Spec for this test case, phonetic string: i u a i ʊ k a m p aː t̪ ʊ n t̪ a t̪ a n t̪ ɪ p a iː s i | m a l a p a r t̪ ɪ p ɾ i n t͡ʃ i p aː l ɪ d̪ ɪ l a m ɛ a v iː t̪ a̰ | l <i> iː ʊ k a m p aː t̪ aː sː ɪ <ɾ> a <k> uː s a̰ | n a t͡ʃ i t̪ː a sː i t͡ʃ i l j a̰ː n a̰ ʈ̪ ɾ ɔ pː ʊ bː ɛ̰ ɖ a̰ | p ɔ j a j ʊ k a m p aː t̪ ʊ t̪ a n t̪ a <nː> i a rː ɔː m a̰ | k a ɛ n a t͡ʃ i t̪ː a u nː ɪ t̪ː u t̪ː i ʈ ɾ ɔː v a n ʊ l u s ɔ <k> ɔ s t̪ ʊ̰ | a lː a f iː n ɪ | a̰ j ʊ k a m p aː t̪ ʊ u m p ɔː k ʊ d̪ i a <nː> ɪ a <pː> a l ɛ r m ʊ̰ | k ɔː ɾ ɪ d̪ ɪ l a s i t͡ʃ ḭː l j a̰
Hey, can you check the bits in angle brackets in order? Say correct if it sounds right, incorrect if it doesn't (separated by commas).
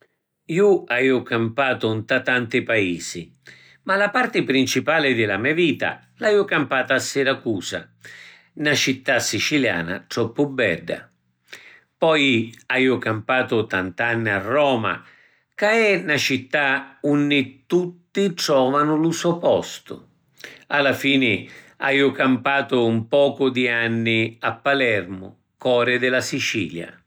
incorrect, correct, correct, correct, incorrect, correct, correct